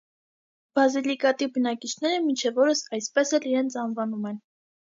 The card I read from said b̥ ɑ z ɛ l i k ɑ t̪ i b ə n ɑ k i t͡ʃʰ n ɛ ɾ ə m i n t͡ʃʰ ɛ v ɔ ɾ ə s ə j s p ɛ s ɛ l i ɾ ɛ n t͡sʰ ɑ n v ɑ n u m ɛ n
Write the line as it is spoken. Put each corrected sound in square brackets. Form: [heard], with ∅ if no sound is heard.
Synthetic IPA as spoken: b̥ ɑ z [i] l i k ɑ t̪ i b ə n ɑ k i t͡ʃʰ n ɛ ɾ ə m i n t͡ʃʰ ɛ v ɔ ɾ ə s [ɑ] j s p ɛ s ɛ l i ɾ ɛ n t͡sʰ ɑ n v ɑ n u m ɛ n